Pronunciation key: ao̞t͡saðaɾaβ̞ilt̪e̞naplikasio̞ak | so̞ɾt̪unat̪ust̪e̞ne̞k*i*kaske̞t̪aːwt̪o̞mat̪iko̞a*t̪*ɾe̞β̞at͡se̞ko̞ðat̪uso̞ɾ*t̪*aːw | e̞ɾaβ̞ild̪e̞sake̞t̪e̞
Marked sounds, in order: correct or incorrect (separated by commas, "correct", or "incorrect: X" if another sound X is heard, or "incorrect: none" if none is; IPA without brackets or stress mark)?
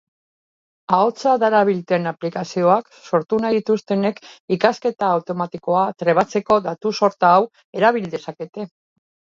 correct, correct, correct